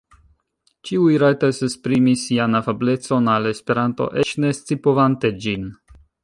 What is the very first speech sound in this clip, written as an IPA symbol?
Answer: t͡ʃ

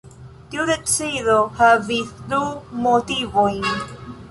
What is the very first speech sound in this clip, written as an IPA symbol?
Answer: t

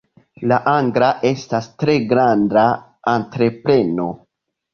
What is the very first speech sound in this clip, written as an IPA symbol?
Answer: l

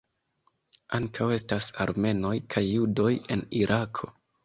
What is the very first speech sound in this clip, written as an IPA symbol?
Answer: a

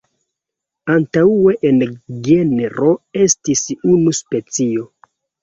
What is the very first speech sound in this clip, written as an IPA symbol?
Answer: a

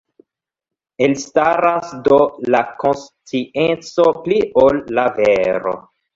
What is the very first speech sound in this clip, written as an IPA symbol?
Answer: e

